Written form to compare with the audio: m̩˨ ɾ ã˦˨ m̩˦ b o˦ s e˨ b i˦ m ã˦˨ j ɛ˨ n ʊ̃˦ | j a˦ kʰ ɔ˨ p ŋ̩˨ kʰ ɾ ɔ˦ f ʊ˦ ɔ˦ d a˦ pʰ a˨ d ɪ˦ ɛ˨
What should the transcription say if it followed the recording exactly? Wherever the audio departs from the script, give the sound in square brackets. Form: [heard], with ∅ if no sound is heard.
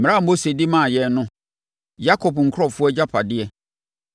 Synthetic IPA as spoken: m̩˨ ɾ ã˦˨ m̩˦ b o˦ s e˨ [d] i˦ m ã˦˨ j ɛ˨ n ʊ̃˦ | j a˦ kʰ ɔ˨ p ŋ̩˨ kʰ ɾ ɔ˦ f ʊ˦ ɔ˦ [d͡ʑ] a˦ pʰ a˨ d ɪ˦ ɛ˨